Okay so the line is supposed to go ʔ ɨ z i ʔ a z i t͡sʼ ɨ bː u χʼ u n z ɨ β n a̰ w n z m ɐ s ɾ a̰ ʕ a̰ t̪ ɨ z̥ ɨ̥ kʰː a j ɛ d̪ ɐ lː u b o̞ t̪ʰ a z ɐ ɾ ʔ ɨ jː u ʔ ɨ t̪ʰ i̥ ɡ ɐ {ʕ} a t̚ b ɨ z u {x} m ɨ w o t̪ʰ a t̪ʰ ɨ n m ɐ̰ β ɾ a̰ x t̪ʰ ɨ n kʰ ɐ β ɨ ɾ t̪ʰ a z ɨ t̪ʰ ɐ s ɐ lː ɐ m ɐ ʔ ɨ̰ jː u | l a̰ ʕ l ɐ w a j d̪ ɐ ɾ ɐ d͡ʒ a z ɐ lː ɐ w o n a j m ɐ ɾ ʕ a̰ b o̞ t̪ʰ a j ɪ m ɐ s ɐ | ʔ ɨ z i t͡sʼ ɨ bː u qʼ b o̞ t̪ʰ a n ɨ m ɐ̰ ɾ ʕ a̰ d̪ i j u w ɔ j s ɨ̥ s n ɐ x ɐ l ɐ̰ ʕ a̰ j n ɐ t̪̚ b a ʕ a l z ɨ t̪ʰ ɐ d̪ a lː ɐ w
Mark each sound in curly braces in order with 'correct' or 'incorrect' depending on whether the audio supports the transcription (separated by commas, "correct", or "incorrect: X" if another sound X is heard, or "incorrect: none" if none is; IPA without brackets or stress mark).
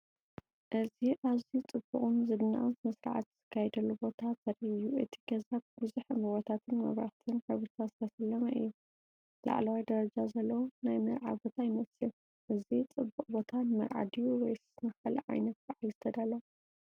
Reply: incorrect: z, incorrect: ħ